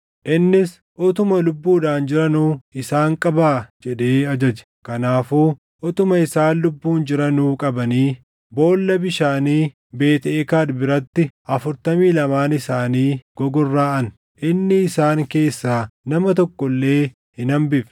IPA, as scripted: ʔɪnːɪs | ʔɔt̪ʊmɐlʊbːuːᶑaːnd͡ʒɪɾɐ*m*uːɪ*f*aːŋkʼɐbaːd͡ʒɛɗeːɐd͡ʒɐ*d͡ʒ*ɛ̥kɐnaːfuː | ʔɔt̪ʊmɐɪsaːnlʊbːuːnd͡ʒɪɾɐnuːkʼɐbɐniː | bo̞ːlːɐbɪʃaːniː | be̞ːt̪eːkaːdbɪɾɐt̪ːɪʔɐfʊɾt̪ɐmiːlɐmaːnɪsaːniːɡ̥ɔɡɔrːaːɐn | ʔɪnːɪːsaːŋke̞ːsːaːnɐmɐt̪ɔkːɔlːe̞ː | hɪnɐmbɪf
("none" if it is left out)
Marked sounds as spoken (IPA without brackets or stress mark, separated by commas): n, s, d͡ʒ